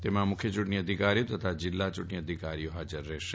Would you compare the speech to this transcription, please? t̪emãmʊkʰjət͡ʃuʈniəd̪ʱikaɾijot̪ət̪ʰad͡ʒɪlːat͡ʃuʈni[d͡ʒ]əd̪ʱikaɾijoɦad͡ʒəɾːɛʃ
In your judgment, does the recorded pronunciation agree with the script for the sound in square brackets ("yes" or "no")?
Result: no